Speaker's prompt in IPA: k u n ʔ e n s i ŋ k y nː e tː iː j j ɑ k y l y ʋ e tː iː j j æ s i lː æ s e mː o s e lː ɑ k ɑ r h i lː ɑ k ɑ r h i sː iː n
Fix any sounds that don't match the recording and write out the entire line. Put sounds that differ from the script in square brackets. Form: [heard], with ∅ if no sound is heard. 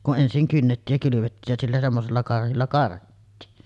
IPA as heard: k u n ʔ e n s i ŋ k y nː e tː iː j j ɑ k y l y ʋ e tː iː j j æ s i lː æ s e mː o s e lː ɑ k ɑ r h i lː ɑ k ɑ r h i [tː] iː n

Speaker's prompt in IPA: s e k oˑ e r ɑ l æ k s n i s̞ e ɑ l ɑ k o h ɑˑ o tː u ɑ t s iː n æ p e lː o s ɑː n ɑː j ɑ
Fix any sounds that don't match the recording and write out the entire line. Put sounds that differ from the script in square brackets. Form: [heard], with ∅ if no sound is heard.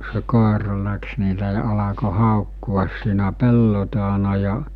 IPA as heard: s e k oˑ e r ɑ l æ k s n i s̞ e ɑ l ɑ k o h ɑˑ o [kː] u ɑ [s] s iː n æ p e lː o [t] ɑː n [ɑ] j ɑ

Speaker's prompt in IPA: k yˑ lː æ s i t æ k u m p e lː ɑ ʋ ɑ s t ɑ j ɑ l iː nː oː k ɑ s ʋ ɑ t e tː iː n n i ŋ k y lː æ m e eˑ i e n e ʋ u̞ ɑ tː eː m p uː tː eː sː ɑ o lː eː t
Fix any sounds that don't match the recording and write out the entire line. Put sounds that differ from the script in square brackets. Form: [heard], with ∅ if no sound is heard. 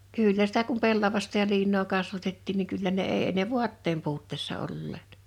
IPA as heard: k yˑ lː æ s i t æ k u m p e lː ɑ ʋ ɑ s t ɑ j ɑ l iː nː oː k ɑ s ʋ ɑ t e tː iː n n i ŋ k y lː æ [n] e eˑ i e n e ʋ u̞ ɑ tː eː m p uː tː eː sː ɑ o lː eː t

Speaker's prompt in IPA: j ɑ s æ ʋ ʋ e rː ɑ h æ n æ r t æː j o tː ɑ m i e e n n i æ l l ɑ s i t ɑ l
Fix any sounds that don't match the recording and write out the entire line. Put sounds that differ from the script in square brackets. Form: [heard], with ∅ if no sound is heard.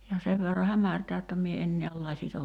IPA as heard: j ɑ s [e] ʋ ʋ e rː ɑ h æ [m] æ r t æː j o tː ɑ m i e e n n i æ l l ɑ s i t ɑ l

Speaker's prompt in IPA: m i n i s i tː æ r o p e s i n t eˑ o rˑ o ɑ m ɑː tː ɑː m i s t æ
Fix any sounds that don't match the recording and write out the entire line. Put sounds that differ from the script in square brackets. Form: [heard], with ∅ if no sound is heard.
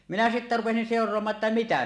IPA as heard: m i n [æ] s i tː æ r [u] p e s i n [s] eˑ o rˑ o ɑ m ɑː tː [ɑ] m i [∅] t æ

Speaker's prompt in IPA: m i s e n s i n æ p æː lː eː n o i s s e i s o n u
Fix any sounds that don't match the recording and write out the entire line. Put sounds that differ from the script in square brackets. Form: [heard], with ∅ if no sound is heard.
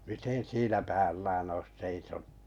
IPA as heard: m i [t] e n s [iː] n æ p æː lː [æː] n o i s s e i s o n u

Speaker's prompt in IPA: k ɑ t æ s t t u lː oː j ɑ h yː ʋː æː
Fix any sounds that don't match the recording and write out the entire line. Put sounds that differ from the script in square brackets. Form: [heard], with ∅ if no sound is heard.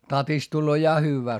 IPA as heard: [t] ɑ t [i] s t t u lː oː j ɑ h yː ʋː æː

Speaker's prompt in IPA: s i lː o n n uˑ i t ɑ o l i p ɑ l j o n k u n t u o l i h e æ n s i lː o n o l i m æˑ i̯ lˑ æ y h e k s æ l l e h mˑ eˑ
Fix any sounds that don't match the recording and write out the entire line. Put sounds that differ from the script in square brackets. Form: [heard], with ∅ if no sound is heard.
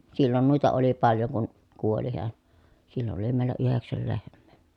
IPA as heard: s i lː o n n uˑ i t ɑ o l i p ɑ l j o [ŋ] k u n [k] u o l i h e æ n s i lː o n o l i m [eˑ] i̯ lˑ æ y h e k s æ l l e h mˑ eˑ

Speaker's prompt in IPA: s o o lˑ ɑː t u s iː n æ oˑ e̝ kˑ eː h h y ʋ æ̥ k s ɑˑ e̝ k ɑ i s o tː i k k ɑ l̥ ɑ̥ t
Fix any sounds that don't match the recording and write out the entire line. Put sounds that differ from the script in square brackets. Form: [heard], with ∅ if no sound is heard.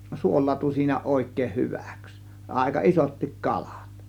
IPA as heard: s [u] o lˑ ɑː t u s iː n æ oˑ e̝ kˑ eː h h y ʋ æ̥ k s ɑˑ e̝ k ɑ i s o tː i k k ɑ l̥ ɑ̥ t

